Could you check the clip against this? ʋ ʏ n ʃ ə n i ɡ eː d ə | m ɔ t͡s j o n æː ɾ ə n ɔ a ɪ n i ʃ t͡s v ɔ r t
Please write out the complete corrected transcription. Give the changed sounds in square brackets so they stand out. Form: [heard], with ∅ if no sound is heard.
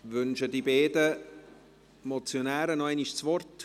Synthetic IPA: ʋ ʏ n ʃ ə [d] i [b] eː d ə | m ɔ t͡s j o n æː ɾ ə n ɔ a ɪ n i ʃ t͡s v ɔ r t